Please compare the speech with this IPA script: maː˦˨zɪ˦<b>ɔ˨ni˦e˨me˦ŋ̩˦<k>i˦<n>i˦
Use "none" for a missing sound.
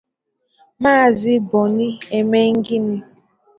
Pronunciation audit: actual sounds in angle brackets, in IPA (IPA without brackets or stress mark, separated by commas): b, ɡ, n